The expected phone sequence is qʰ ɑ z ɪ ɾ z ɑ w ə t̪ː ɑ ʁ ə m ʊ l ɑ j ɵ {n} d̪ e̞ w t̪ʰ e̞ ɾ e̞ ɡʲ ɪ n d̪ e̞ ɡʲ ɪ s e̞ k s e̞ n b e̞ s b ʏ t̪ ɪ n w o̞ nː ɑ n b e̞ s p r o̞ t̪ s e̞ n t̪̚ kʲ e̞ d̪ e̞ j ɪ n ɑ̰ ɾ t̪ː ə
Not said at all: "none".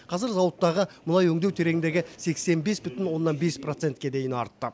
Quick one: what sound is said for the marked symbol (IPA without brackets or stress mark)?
ŋ